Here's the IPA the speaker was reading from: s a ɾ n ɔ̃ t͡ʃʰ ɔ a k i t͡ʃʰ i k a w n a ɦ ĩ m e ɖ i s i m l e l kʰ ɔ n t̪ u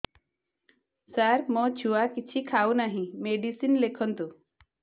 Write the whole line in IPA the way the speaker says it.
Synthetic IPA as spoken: s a ɾ m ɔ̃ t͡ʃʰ u a k i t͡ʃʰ i kʰ a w n a ɦ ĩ m e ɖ i s i n l e kʰ ɔ n t̪ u